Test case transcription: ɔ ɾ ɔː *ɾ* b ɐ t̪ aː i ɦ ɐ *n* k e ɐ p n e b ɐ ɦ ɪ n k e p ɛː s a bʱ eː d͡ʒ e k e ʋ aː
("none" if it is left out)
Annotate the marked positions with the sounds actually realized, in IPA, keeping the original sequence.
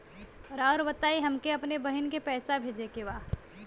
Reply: ɾ, m

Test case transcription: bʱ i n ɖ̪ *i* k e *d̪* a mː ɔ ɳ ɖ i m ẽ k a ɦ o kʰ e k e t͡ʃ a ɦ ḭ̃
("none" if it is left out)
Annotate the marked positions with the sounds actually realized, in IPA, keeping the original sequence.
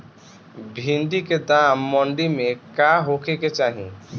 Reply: i, d̪

